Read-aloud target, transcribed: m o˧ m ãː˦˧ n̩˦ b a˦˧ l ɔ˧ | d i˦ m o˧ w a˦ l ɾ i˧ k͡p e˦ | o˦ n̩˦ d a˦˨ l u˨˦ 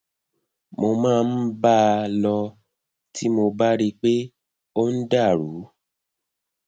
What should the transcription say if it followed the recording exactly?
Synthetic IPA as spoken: m o˧ m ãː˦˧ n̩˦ b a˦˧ l ɔ˧ | t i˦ m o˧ b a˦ ɾ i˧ k͡p e˦ | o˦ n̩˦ d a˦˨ ɾ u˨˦

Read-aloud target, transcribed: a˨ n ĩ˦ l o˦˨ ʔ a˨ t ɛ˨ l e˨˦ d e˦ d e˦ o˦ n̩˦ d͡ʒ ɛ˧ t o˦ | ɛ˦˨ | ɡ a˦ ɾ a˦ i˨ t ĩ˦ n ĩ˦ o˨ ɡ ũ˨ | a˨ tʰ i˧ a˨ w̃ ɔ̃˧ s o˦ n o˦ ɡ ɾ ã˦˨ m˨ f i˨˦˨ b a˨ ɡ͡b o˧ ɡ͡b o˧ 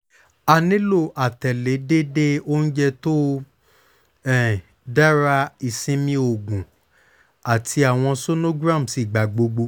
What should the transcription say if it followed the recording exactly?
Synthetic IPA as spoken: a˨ n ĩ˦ l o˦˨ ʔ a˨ t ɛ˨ l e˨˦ d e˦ d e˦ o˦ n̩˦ d͡ʒ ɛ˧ t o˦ | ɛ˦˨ | d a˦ ɾ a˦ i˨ s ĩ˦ m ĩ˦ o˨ ɡ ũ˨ | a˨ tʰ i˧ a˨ w̃ ɔ̃˧ s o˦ n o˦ ɡ ɾ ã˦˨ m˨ s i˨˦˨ ɡ͡b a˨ ɡ͡b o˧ ɡ͡b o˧

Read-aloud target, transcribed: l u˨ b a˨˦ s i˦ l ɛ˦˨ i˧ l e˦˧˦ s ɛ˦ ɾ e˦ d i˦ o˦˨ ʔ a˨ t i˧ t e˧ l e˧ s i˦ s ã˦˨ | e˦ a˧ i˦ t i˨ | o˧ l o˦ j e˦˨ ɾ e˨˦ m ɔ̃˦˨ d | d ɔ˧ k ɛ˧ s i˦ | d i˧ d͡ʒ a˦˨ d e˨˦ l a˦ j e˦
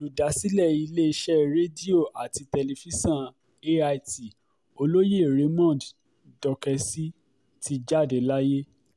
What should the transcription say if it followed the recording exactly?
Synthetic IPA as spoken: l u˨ d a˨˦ s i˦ l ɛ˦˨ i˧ l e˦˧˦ ʃ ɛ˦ ɾ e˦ d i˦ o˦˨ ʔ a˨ t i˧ t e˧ l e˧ f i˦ s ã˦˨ | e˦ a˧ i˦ t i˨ | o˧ l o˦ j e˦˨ ɾ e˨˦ m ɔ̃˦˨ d | d ɔ˧ k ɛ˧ s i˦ | t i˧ d͡ʒ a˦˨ d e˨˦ l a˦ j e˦

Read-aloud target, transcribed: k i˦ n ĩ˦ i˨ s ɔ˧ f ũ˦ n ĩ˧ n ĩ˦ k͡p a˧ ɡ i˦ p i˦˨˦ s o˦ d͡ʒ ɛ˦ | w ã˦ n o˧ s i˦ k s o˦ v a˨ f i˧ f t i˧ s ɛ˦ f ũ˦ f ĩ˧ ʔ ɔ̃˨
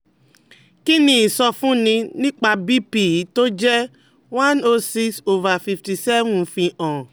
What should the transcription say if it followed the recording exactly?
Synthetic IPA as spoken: k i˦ n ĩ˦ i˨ s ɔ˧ f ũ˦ n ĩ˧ n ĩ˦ k͡p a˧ b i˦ p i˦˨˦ t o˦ d͡ʒ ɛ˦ | w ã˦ n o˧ s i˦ k s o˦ v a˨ f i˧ f t i˧ s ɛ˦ v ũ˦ f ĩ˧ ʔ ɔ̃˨

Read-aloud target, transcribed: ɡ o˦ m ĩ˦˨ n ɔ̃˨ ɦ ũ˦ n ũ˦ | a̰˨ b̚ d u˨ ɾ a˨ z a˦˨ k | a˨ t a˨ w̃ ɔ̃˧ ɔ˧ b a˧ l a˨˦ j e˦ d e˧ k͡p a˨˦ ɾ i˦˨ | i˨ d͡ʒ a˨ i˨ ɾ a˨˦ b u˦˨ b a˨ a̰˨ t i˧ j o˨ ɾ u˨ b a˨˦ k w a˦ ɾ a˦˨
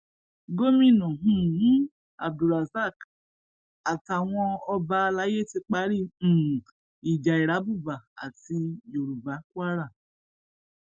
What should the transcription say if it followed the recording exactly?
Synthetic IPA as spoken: ɡ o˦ m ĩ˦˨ n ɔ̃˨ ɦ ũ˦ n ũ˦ | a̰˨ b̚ d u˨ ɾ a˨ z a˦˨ k | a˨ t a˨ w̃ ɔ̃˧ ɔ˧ b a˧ l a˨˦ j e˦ t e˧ k͡p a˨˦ ɾ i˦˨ | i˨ d͡ʒ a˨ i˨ ɾ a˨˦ b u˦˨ b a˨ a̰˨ t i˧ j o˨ ɾ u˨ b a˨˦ k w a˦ ɾ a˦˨

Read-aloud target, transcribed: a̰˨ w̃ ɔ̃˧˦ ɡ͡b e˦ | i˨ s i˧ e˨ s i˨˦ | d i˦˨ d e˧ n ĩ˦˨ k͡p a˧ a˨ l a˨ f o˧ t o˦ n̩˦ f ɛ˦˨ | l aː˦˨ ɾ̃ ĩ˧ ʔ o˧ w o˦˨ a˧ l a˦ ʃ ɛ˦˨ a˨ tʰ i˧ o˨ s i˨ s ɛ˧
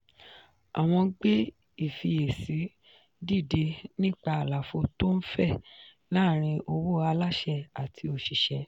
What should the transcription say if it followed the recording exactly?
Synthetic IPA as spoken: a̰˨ w̃ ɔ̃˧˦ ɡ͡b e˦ | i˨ f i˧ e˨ s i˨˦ | d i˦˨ d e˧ n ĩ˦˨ k͡p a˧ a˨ l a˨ f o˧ t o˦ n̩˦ f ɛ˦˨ | l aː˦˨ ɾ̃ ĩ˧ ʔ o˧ w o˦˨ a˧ l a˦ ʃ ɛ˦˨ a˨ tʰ i˧ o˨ ʃ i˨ ʃ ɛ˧

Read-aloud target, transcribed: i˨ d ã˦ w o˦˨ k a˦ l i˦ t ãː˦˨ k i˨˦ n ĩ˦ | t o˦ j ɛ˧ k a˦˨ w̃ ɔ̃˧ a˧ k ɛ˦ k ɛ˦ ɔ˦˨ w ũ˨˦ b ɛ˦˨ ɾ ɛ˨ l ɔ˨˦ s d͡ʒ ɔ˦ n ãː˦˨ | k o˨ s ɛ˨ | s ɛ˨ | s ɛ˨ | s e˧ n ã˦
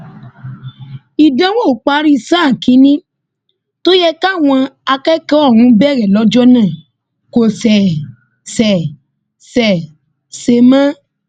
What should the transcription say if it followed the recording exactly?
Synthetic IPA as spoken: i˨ d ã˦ w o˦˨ k͡p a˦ ɾ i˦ s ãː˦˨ k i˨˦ n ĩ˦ | t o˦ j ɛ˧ k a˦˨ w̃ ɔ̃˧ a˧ k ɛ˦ k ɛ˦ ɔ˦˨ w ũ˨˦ b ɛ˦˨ ɾ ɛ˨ l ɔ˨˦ d͡ʒ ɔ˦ n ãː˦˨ | k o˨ s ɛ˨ | s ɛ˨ | s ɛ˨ | s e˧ m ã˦

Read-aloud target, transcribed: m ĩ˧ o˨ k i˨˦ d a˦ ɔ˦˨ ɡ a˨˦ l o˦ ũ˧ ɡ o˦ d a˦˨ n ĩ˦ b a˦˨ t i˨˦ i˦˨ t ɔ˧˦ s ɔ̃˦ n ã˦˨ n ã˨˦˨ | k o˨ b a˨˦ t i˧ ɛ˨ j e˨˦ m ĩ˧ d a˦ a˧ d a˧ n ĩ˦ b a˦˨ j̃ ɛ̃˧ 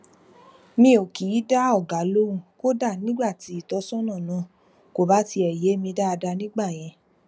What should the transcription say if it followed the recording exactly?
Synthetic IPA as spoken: m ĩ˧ o˨ k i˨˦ d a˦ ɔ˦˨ ɡ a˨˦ l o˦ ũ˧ k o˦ d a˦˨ n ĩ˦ ɡ͡b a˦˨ t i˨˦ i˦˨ t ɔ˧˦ s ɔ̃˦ n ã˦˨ n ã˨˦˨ | k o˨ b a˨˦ t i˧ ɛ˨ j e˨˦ m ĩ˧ d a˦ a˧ d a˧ n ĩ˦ ɡ͡b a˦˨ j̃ ɛ̃˧

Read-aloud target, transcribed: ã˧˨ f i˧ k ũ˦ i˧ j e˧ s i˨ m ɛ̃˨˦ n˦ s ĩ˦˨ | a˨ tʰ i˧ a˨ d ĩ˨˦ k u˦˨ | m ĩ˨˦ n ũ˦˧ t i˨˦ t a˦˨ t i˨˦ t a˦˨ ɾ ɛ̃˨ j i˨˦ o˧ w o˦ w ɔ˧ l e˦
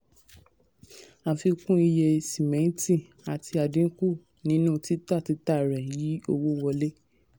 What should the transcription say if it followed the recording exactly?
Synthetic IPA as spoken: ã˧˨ f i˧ k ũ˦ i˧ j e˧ s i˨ m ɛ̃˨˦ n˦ t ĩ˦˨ | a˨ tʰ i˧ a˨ d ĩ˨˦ k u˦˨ | n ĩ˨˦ n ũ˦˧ t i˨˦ t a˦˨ t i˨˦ t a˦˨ ɾ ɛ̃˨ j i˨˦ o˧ w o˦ w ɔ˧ l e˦

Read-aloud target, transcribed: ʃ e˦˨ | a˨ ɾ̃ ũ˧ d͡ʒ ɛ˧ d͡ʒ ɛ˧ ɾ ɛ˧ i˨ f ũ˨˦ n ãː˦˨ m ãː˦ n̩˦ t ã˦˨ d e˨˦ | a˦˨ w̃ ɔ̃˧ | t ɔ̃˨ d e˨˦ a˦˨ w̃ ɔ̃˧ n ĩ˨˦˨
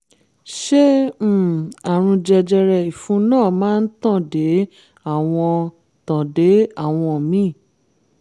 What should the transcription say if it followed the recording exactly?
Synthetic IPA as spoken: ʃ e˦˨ | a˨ ɾ̃ ũ˧ d͡ʒ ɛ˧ d͡ʒ ɛ˧ ɾ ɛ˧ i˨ f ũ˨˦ n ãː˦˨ m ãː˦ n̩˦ t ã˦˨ d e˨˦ | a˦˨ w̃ ɔ̃˧ | t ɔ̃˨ d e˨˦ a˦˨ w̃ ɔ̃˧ m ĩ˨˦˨

